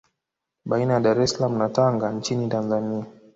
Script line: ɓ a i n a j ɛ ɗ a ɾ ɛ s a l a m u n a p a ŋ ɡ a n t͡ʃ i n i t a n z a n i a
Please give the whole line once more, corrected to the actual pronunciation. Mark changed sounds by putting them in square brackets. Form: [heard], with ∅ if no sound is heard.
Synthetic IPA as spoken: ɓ a i n a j [a] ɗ a ɾ ɛ s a l a m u n a [t] a ŋ ɡ a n t͡ʃ i n i t a n z a n i a